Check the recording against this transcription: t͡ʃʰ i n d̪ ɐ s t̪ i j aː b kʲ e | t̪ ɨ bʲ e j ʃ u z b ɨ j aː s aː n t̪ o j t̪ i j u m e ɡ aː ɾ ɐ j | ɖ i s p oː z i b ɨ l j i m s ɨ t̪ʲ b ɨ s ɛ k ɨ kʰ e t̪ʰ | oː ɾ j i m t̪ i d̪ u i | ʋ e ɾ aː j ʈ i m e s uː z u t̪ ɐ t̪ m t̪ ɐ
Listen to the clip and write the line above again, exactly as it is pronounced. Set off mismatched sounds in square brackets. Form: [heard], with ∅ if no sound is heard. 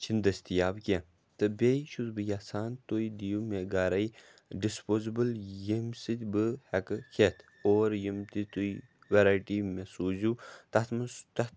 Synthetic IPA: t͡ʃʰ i n d̪ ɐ s t̪ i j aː b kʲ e | t̪ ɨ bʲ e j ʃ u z b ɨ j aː s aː n t̪ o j [d̪] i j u m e ɡ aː ɾ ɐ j | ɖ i s p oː z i b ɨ l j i m s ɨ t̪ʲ b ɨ [h] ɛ k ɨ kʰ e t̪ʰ | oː ɾ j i m t̪ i [t̪] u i | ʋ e ɾ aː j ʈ i m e s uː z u t̪ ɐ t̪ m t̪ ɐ